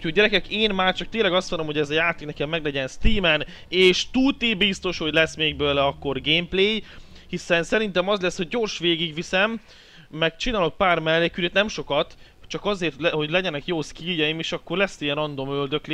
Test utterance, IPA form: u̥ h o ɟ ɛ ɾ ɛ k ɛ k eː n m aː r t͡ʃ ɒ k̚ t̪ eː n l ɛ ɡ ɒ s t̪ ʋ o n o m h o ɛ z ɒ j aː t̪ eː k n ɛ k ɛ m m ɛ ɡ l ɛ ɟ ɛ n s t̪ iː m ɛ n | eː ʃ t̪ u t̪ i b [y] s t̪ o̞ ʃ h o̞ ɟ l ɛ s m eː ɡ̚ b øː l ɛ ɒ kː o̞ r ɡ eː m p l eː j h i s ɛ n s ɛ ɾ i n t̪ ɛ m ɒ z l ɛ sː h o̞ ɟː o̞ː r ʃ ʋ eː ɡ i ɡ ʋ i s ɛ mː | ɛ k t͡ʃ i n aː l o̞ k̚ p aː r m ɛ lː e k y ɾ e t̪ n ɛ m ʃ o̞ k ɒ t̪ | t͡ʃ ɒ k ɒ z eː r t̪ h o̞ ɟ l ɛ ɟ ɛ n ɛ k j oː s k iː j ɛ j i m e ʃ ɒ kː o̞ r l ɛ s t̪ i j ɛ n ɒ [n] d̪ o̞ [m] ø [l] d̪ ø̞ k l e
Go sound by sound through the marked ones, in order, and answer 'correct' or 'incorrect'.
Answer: incorrect: i, correct, correct, correct

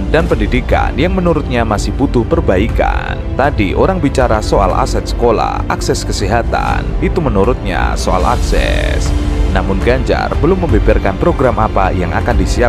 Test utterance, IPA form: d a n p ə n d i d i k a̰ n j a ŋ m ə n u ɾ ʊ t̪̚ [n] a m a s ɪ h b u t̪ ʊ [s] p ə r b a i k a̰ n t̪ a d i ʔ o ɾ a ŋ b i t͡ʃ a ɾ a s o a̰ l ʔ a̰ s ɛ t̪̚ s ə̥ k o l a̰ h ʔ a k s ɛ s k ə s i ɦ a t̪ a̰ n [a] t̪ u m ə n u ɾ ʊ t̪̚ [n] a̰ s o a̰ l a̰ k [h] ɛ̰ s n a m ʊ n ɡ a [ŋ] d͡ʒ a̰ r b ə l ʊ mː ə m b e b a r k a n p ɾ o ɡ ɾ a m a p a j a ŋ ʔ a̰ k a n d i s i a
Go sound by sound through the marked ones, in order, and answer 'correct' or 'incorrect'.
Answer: incorrect: ɲ, incorrect: h, incorrect: i, incorrect: ɲ, incorrect: s, incorrect: ɲ

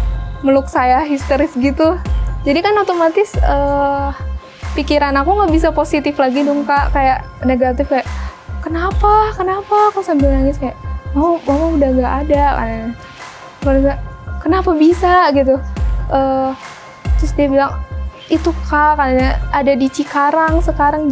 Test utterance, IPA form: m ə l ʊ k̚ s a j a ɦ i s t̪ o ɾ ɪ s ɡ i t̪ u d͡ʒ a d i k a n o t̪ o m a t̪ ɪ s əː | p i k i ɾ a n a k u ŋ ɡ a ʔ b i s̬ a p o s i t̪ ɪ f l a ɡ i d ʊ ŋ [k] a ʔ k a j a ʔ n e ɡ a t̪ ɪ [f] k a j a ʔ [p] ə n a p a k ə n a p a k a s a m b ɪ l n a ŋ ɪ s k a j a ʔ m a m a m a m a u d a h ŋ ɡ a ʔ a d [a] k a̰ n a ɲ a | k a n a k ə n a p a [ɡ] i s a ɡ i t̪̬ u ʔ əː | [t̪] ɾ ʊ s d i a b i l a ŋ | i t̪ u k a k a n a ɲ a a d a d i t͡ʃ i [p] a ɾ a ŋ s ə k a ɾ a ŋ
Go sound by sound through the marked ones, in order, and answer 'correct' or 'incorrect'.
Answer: correct, correct, incorrect: k, correct, incorrect: b, correct, incorrect: k

